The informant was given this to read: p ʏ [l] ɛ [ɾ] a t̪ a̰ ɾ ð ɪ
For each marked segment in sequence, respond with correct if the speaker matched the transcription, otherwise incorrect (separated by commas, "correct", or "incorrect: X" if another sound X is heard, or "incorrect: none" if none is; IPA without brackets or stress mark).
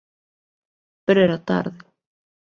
incorrect: ɾ, correct